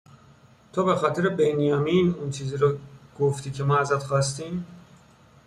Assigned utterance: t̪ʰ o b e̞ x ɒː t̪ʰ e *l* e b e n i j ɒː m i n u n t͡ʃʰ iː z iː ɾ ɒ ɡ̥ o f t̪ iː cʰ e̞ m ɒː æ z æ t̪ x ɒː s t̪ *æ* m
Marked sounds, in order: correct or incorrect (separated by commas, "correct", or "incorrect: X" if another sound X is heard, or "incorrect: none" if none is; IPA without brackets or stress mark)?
incorrect: ɾ, incorrect: i